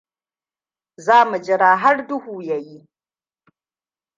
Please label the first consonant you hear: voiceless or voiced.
voiced